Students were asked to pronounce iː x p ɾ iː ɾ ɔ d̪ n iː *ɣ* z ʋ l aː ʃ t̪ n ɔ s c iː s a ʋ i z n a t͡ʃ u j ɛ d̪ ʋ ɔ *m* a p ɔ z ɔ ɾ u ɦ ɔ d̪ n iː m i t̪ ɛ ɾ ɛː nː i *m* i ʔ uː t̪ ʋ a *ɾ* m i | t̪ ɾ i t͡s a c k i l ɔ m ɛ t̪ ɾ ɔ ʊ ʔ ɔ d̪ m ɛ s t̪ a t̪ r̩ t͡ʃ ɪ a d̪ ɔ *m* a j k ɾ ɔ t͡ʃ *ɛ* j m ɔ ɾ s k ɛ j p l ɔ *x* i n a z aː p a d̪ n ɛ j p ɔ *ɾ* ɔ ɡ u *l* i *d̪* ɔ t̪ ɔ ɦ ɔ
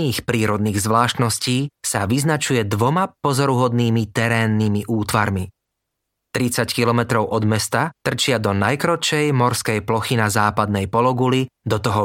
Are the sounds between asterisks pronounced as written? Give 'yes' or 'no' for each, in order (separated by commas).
yes, yes, yes, yes, no, yes, yes, no, yes, yes